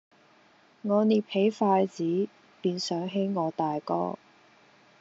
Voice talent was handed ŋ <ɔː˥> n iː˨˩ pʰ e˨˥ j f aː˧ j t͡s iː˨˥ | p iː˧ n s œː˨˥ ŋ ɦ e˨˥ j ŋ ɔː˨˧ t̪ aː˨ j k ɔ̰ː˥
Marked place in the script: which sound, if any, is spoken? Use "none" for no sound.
ɔː˨˧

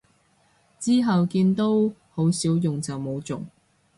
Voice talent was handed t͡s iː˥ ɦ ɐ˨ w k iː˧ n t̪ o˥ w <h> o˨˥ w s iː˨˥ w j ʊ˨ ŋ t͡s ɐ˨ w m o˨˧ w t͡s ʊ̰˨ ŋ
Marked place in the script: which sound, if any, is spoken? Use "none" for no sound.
h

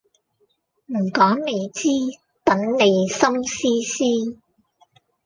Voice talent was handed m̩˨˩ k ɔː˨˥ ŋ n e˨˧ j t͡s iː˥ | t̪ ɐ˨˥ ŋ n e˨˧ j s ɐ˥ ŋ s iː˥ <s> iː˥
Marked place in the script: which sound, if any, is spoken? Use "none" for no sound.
s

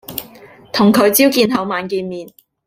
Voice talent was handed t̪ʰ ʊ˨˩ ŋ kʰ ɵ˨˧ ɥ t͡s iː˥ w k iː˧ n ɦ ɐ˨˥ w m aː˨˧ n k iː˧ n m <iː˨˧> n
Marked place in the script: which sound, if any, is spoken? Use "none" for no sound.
iː˨˧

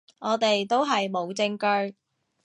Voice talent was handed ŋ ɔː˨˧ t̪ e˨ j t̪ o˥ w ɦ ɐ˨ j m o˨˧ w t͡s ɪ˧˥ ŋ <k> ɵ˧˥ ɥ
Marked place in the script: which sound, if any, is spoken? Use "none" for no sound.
k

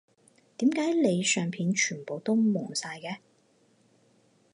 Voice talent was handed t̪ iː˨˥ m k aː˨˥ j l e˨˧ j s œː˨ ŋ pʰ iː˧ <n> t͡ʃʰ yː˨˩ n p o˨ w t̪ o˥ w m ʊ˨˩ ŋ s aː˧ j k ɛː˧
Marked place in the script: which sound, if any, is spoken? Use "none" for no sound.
n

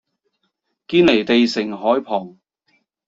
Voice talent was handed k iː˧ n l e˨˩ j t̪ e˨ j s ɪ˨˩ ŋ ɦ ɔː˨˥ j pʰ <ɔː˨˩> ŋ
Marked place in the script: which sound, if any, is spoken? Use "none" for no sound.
ɔː˨˩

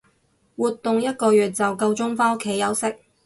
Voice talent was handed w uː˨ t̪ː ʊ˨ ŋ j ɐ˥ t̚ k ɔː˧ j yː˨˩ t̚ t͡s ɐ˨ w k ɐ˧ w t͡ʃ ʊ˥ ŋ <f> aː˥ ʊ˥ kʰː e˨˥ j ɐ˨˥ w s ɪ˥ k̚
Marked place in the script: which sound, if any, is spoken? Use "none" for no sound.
f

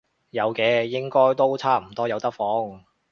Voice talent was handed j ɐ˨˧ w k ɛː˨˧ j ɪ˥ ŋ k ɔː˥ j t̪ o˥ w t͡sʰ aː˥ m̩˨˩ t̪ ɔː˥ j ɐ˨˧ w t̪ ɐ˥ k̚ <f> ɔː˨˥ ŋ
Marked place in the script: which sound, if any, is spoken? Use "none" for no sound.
f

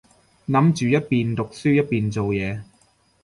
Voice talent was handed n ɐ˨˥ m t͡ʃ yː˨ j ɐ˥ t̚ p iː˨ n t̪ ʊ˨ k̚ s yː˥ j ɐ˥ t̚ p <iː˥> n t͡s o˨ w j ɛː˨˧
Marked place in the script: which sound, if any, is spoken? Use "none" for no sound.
iː˨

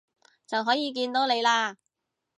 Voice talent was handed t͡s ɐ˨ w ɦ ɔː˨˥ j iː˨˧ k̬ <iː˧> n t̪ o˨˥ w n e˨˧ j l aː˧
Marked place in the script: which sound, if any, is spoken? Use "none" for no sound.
iː˧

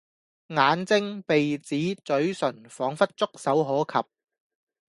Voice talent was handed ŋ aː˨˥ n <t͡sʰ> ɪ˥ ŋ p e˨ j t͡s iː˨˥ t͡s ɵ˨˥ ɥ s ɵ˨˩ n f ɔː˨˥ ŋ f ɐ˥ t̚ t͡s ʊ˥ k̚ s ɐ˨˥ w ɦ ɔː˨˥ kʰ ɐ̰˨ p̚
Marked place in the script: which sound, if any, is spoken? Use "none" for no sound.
t͡s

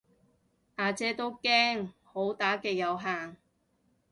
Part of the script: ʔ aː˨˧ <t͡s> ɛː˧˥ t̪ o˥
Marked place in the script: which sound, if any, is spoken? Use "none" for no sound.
t͡s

